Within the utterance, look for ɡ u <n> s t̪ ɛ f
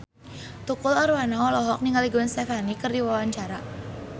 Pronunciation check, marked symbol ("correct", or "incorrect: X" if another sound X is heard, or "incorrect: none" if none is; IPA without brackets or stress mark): correct